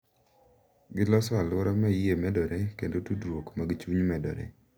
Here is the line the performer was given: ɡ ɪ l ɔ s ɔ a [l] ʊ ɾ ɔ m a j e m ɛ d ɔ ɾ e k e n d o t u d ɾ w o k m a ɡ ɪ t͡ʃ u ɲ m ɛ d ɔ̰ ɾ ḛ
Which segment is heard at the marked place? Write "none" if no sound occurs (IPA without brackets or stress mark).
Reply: l